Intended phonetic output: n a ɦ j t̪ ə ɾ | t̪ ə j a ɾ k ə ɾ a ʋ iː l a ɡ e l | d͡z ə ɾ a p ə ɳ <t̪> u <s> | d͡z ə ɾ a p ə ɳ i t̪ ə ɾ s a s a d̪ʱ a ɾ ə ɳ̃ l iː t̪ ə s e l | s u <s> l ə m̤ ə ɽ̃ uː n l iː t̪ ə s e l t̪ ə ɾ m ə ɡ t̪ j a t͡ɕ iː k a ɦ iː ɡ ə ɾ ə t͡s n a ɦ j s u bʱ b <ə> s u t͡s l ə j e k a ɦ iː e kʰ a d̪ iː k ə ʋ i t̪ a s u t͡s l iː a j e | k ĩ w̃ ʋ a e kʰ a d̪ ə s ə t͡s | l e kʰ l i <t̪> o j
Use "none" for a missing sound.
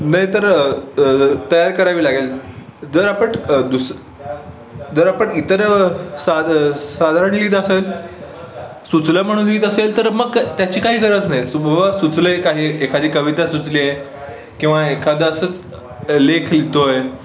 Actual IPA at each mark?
d̪, s, t͡s, a, t̪

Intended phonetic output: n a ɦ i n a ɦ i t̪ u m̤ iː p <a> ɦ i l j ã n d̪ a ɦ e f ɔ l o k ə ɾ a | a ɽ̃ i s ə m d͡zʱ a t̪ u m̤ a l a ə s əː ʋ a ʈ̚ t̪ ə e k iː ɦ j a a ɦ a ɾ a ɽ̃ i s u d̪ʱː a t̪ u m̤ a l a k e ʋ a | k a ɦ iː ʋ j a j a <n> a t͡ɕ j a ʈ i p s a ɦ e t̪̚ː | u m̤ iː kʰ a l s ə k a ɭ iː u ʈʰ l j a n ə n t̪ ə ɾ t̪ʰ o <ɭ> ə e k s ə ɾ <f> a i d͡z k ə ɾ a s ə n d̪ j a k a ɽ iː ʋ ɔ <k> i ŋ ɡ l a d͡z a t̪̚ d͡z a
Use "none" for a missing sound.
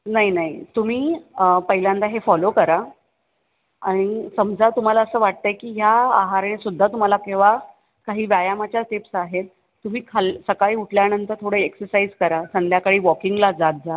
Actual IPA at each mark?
ə, m, ɽ, s, k

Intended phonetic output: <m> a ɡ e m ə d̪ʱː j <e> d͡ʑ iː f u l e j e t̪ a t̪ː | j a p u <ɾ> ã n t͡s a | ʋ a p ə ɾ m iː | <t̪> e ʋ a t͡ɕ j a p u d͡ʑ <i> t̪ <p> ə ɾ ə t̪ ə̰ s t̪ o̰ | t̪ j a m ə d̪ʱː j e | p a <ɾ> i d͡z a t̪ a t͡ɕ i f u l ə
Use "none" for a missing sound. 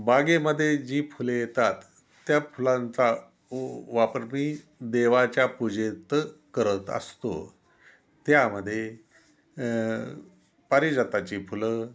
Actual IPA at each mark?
b, e, l, d̪, e, k, ɾ

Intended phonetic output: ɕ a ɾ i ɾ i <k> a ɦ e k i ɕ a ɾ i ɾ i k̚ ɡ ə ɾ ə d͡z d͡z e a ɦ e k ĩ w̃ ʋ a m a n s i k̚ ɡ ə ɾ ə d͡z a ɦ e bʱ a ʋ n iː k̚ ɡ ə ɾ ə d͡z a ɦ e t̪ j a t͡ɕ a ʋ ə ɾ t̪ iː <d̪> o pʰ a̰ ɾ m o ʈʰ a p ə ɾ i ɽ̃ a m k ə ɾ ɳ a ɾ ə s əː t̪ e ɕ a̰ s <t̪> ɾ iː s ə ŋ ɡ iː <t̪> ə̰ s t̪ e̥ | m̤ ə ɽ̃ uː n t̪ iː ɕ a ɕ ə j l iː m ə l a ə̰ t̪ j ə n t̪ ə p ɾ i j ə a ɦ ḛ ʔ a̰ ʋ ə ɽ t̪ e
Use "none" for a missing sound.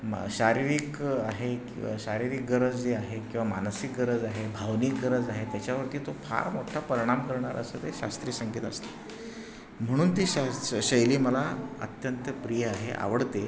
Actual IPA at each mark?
k, t̪, t̪, t̪

